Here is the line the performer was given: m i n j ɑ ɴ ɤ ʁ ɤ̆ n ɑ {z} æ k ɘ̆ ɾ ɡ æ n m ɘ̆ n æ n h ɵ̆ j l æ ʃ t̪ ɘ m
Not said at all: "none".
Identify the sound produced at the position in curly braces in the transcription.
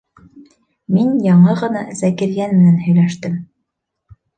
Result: z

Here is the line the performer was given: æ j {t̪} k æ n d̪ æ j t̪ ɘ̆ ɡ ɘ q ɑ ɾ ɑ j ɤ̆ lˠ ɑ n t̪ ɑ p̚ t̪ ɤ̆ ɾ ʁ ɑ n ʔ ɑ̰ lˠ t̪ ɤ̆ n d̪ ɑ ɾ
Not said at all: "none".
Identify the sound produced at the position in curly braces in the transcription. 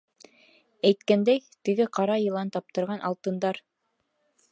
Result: t̪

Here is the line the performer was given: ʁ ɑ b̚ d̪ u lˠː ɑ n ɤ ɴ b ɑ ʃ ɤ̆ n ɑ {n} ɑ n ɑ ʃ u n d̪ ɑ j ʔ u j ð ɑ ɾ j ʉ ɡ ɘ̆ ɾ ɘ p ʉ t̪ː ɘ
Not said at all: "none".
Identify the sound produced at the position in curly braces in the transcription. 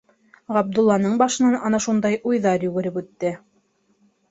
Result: n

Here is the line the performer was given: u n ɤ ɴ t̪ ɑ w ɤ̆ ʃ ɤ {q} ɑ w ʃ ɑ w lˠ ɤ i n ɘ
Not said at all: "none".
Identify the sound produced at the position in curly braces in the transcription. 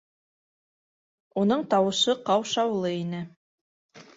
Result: q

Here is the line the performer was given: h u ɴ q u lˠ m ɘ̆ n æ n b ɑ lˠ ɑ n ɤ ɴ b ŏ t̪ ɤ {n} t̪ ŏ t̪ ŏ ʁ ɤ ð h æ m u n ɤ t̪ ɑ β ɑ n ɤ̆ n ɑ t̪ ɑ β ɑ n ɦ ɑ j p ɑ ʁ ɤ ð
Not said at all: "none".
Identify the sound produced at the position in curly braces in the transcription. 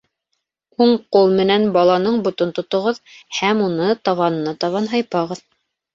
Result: n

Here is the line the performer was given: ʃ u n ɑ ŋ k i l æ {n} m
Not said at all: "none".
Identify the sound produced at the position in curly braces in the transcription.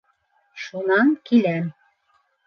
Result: none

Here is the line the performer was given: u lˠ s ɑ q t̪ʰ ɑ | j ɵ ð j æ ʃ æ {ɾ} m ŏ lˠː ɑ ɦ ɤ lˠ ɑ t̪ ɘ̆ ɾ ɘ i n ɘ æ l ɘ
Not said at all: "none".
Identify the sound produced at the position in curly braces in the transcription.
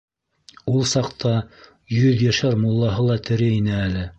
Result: ɾ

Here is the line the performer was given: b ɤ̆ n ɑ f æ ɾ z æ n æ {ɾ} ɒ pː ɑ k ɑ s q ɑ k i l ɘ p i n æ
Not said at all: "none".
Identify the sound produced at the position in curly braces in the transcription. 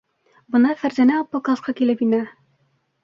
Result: none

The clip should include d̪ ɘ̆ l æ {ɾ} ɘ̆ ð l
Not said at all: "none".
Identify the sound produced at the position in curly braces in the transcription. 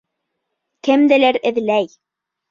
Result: ɾ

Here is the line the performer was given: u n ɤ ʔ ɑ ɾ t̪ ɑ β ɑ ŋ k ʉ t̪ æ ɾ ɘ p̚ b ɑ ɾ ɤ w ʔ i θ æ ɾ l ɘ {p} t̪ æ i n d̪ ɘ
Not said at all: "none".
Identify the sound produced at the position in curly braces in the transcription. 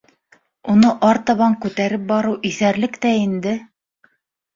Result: k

